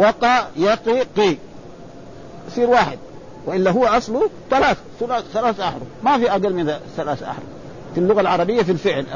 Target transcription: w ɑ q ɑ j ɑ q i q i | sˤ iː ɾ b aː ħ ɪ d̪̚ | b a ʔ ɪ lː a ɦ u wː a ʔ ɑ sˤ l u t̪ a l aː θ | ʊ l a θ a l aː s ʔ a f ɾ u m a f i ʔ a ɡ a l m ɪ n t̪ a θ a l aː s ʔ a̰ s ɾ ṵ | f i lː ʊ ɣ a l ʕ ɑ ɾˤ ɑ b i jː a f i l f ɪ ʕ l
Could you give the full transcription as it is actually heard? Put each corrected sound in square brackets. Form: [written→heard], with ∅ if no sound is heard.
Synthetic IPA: w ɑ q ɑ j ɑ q i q i | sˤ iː ɾ [b→w] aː ħ ɪ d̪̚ | [b→w] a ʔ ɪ lː a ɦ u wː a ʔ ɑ sˤ l u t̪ a l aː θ | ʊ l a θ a l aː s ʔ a [f→ħ] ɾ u m a f i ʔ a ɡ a l m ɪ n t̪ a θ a l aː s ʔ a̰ [s→ħ] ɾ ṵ | f i lː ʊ ɣ a l ʕ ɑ ɾˤ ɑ b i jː a f i l f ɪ ʕ l